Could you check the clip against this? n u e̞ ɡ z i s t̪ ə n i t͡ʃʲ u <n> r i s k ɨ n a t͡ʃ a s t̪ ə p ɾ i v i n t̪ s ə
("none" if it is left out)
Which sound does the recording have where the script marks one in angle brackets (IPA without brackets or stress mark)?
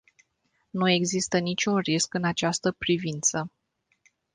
n